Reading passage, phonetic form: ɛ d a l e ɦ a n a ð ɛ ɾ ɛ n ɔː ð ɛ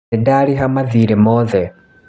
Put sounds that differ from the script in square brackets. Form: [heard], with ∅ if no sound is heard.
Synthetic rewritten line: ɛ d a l [i] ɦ a [m] a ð [i] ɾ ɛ [m] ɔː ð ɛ

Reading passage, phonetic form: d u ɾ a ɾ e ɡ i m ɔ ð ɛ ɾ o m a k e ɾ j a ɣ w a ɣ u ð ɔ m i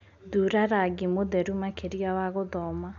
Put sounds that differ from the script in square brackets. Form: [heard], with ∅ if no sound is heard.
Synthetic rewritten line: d u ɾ a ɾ [a] ɡ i m [o] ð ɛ ɾ [u] m a k e ɾ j a [∅] w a ɣ [o] ð ɔ m [a]

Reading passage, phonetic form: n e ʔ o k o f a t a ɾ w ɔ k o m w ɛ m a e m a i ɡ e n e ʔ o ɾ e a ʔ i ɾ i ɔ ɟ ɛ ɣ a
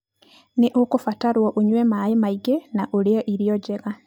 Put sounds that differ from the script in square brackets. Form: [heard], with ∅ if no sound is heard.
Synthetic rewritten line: n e ʔ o k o f a t a ɾ w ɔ [ʔ] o [ɲ] w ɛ m a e m a i ɡ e n [a] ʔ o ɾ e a ʔ i ɾ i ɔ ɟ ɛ ɣ a

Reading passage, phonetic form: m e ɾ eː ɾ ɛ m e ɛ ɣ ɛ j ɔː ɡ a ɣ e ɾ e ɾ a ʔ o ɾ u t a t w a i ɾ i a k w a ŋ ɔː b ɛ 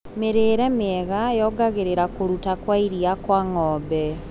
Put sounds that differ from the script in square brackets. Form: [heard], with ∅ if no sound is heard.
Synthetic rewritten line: m e ɾ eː ɾ ɛ m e ɛ ɣ [a] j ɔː ɡ a ɣ e ɾ e ɾ a [k] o ɾ u t a [k] w a i ɾ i a k w a ŋ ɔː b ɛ

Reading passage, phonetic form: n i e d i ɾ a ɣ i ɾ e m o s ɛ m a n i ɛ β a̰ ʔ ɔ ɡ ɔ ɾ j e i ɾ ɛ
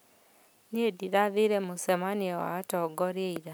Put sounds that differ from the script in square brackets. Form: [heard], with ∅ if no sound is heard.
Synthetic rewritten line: n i e d i ɾ a [ð] i ɾ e m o s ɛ m a n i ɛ [w] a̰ [t] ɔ ɡ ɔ ɾ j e i ɾ [a]

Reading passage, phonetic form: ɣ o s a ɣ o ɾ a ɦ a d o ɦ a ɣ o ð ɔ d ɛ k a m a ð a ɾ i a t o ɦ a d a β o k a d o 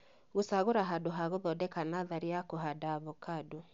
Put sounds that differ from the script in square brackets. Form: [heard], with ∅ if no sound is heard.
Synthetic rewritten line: ɣ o s a ɣ o ɾ a ɦ a d o ɦ a ɣ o ð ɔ d ɛ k a [n] a ð a ɾ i a [k] o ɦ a d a β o k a d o

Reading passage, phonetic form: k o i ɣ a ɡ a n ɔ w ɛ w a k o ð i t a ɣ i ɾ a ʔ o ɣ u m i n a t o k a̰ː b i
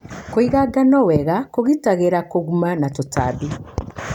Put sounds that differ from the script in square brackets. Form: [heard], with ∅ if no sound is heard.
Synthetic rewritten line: k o i ɣ a ɡ a n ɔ w ɛ [ɣ] a k o [ɣ] i t a ɣ [e] ɾ a [k] o ɣ u m [a] n a t o [t] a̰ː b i

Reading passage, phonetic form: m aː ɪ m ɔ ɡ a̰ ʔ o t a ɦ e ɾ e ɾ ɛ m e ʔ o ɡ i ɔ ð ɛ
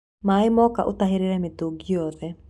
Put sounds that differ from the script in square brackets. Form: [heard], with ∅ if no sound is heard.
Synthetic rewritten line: m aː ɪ m ɔ [k] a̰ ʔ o t a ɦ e ɾ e ɾ ɛ m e [t] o ɡ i ɔ ð ɛ

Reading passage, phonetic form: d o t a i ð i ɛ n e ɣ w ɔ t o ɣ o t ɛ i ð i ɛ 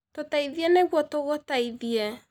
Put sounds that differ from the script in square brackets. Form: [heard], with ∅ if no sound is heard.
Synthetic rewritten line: [t] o t a i ð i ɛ n e ɣ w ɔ t o ɣ o t [a] i ð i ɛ

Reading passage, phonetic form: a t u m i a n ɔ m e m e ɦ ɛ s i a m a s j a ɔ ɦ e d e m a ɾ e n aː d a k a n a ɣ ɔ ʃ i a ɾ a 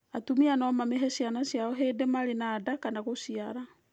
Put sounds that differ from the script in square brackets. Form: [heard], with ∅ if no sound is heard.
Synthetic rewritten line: a t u m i a n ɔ m [a] m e ɦ ɛ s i a [n] a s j a ɔ ɦ e d e m a ɾ e n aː d a k a n a ɣ [o] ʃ i a ɾ a

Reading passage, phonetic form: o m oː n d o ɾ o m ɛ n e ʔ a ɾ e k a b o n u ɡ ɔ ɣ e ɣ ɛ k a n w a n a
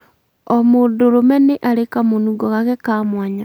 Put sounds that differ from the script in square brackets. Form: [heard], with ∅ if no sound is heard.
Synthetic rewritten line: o m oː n d o ɾ o m ɛ n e ʔ a ɾ e k a [m] o n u ɡ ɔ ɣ [a] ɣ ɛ k a [m] w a [ɲ] a

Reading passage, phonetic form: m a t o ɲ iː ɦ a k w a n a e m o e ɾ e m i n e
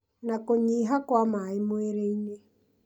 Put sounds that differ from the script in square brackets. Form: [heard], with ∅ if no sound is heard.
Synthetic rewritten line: [n] a [k] o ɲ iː ɦ a k w a [m] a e m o e ɾ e [∅] i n e

